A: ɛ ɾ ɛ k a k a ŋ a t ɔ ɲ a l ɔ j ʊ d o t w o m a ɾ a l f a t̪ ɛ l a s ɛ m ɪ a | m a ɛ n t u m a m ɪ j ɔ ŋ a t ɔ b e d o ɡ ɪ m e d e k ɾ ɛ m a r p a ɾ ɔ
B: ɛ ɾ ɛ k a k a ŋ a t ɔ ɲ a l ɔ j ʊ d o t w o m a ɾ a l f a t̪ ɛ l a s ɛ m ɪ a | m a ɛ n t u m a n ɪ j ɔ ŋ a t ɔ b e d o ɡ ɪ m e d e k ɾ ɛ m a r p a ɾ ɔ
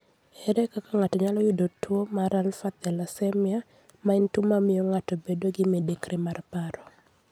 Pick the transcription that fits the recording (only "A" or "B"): A